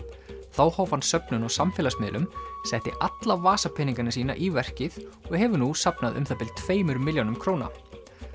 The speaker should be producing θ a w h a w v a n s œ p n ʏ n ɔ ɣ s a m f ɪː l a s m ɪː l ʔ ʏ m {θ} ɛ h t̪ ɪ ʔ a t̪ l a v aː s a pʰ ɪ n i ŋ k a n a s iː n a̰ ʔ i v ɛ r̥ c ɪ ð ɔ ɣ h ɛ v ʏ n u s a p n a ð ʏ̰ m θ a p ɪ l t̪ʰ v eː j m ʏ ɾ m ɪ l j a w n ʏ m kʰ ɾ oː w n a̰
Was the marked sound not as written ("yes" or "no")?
yes